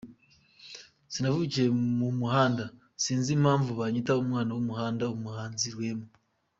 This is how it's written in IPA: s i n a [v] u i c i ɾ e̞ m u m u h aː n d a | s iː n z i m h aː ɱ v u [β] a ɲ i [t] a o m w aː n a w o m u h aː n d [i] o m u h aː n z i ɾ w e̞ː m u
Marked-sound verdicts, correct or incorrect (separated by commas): correct, correct, correct, incorrect